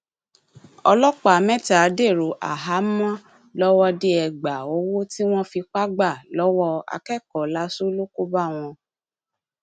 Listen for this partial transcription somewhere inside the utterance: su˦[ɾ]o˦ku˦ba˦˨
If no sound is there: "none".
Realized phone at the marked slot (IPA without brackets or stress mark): l